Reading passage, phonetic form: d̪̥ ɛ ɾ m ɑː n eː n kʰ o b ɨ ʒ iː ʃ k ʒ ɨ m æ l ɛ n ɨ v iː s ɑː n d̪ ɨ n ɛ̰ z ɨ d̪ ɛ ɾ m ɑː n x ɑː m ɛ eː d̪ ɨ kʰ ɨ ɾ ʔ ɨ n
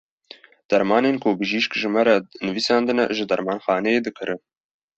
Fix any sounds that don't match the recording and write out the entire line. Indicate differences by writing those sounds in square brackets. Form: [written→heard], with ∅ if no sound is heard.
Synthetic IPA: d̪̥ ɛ ɾ m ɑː n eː n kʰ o b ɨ ʒ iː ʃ k ʒ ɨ m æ [l→ɾ] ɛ n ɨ v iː s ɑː n d̪ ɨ n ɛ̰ [z→ʒ] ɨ d̪ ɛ ɾ m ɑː n x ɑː [m→n] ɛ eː d̪ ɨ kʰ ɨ ɾ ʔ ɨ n